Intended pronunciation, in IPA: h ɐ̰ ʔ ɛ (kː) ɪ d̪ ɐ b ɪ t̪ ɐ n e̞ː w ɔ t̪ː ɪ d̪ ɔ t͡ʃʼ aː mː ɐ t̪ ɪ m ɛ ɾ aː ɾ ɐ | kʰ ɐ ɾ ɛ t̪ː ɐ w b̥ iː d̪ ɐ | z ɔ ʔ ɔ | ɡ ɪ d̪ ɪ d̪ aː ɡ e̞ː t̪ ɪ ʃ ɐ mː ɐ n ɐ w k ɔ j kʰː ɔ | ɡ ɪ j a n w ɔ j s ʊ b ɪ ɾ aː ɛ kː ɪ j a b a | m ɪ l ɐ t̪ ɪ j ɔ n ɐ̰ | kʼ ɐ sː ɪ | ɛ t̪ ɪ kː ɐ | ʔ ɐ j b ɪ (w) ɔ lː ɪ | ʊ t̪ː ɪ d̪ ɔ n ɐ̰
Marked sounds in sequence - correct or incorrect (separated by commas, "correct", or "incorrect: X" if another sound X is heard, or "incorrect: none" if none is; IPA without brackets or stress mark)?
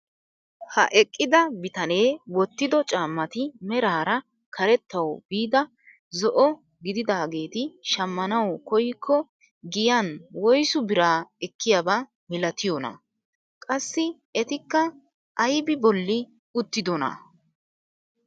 incorrect: kʼː, incorrect: b